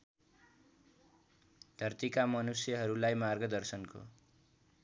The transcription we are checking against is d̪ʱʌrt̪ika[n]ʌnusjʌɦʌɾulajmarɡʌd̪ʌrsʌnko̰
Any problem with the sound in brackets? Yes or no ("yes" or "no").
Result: yes